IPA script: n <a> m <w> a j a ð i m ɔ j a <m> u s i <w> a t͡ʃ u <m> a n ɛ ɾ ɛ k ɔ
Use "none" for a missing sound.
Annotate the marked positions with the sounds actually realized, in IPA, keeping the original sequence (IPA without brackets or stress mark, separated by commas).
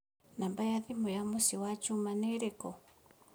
a, b, m, w, m